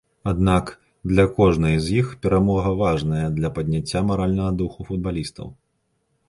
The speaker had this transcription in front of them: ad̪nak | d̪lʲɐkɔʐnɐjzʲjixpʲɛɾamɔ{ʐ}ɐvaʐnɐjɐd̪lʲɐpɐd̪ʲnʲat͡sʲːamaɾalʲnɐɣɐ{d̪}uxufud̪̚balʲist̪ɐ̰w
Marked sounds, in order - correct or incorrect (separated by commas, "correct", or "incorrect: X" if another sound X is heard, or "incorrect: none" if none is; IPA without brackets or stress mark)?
incorrect: ɣ, correct